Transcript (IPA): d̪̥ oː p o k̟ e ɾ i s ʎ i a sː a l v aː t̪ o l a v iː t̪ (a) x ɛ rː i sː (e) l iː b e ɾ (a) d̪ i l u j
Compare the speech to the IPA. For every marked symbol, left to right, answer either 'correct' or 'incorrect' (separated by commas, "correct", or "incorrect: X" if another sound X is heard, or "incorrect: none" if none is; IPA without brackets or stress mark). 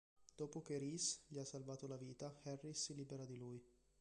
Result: correct, incorrect: i, correct